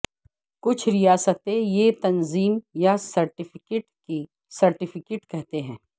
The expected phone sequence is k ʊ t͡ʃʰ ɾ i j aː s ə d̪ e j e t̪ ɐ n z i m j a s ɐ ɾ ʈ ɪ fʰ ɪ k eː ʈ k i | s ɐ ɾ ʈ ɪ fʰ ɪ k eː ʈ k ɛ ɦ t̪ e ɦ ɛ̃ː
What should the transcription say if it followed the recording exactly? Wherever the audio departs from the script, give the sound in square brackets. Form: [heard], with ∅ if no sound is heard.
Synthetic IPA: k ʊ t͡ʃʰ ɾ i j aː s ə [t̪] e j e t̪ ɐ n z [iː] m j a s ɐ ɾ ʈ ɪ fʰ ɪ k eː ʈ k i | s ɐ ɾ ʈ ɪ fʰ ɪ k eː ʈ k ɛ ɦ t̪ e ɦ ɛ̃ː